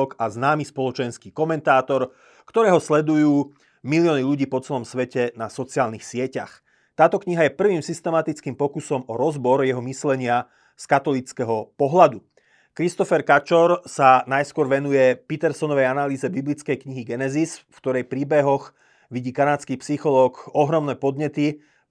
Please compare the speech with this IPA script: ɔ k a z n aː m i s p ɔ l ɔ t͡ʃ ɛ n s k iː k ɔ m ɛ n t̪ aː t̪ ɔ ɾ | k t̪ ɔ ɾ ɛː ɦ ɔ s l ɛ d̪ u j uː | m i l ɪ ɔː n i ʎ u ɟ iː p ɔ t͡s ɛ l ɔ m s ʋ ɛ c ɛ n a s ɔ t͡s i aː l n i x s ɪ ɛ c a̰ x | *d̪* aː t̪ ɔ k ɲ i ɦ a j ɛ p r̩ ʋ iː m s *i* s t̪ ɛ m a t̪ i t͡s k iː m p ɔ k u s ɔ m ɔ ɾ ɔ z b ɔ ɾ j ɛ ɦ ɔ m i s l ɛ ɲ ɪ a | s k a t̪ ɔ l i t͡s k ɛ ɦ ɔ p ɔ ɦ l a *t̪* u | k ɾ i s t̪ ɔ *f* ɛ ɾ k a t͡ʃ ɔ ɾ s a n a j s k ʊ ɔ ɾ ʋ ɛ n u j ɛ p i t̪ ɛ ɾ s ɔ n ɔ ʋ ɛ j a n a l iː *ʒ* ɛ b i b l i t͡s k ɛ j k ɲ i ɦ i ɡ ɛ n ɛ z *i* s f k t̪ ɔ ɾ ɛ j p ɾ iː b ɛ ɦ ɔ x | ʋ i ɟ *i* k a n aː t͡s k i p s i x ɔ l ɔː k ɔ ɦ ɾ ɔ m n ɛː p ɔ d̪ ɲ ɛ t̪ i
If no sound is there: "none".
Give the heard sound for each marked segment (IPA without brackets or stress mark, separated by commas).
t̪, i, d̪, f, z, i, iː